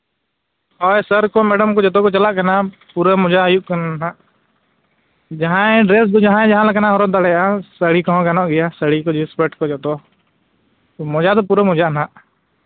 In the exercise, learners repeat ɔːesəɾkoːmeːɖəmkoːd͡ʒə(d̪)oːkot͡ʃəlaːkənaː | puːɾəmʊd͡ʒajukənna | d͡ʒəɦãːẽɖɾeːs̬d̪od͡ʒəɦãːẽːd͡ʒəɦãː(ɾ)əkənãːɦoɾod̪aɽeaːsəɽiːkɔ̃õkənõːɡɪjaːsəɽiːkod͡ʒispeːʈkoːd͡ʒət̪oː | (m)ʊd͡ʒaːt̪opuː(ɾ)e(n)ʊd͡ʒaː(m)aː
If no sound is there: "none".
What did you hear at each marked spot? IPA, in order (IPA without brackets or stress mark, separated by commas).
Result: t̪, l, m, ɾ, m, n